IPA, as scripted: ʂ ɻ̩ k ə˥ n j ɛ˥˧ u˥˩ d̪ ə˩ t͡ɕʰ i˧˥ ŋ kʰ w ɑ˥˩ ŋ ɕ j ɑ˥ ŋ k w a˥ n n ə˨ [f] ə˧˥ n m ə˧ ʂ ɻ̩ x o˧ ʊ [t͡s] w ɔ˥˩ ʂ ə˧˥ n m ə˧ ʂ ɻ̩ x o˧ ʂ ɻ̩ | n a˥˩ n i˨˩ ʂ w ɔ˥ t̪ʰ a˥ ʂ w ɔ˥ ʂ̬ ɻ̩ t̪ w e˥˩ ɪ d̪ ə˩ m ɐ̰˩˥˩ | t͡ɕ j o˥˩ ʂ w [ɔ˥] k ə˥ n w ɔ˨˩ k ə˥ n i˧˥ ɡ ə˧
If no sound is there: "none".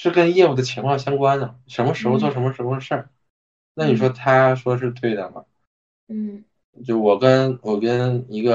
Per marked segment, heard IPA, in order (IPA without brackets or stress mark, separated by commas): ʂ, t͡s, ɔ˨˩